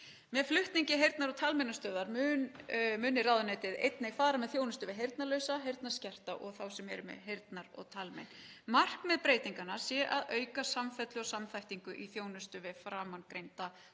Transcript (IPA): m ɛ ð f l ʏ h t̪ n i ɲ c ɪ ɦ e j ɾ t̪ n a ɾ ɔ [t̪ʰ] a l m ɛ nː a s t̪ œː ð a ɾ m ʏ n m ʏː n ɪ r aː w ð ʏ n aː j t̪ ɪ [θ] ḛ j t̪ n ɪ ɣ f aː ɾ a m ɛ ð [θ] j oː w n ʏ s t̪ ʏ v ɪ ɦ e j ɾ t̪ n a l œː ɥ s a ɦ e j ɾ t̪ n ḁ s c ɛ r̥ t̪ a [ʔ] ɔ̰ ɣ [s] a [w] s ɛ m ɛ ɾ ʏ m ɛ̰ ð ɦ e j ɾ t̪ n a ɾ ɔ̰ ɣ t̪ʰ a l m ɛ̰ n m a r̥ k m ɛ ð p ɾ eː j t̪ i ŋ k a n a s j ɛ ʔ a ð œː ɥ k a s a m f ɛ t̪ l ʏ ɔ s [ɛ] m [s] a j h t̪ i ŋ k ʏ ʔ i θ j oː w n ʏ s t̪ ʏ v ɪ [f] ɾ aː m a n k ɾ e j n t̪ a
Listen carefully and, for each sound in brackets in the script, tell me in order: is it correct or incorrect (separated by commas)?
correct, incorrect, correct, correct, incorrect, correct, incorrect, incorrect, correct